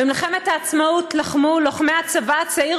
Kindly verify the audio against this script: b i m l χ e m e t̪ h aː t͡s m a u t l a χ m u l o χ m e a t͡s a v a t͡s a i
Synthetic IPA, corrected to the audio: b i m l χ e m e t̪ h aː t͡s m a u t l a χ m u l o χ m e a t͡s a v a t͡s a i